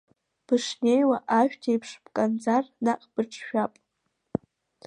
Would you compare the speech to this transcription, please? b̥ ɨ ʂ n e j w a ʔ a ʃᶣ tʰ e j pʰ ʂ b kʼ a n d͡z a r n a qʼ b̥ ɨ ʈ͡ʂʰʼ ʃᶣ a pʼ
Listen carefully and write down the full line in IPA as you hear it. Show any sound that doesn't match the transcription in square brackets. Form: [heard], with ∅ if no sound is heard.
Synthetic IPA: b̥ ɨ ʂ n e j w a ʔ a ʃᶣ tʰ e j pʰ ʂ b kʼ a n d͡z a r n a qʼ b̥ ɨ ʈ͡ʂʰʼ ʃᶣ a pʼ